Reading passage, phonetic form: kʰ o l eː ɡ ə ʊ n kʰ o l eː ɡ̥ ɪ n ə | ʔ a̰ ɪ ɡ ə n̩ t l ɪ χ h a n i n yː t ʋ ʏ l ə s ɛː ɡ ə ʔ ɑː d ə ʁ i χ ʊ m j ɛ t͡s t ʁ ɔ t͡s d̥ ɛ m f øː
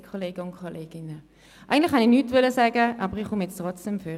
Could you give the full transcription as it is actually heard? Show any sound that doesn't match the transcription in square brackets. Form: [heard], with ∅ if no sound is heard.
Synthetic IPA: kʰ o l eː ɡ ə ʊ n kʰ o l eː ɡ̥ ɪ n ə | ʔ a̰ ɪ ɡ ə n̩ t l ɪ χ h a n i n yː t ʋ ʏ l ə s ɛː ɡ ə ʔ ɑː [b] ə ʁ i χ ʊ m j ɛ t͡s t ʁ ɔ t͡s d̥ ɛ m f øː